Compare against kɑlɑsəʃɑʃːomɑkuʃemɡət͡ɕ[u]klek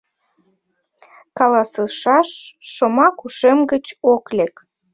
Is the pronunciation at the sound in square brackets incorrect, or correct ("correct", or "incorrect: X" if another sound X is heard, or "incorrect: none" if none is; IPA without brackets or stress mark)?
incorrect: o